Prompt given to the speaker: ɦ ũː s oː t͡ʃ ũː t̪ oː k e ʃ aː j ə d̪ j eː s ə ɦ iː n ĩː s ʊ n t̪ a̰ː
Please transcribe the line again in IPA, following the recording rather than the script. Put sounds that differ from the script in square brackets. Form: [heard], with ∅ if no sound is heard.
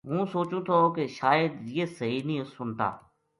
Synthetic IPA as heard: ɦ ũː s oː t͡ʃ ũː [t̪ʰ] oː k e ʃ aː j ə d̪ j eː s ə ɦ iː n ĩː s ʊ n t̪ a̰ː